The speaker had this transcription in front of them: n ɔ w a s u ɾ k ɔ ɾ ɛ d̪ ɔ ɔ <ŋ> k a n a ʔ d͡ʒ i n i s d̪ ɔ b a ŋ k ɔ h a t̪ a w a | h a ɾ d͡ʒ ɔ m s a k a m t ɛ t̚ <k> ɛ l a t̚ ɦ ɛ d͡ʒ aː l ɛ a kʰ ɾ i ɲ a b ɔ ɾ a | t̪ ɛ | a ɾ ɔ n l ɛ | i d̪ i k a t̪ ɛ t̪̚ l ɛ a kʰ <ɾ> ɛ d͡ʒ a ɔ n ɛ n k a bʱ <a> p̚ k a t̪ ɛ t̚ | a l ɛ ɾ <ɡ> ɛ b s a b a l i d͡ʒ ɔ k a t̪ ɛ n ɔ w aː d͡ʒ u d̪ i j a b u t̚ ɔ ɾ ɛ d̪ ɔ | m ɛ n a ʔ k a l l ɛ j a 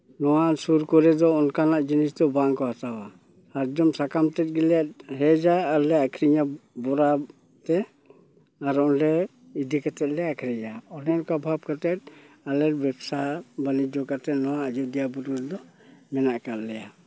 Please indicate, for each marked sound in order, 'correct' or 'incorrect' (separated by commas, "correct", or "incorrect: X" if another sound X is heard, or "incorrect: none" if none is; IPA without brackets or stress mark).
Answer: incorrect: n, incorrect: ɡ, correct, correct, incorrect: b